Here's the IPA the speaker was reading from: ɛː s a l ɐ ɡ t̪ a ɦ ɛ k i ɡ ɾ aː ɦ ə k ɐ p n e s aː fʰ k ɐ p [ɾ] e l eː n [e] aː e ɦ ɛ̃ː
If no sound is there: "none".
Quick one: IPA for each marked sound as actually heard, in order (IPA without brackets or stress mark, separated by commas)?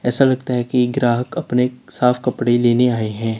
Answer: ɽ, e